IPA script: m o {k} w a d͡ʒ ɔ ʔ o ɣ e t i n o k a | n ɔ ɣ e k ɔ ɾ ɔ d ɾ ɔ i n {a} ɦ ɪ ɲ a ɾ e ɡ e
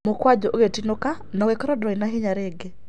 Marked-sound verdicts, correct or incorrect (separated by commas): correct, correct